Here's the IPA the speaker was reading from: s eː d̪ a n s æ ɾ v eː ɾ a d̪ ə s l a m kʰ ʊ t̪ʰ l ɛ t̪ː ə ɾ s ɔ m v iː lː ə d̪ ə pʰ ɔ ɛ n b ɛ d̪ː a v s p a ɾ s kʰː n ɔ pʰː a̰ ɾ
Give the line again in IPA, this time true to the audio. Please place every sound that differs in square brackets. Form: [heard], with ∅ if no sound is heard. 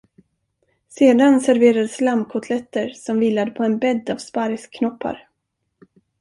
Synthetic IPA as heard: s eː d̪ a n s æ ɾ v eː ɾ a d̪ ə s l a m kʰ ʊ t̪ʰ l ɛ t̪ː ə ɾ s ɔ m v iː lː [a] d̪ ə pʰ ɔ ɛ n b ɛ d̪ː a v s p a ɾ s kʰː n ɔ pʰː a̰ ɾ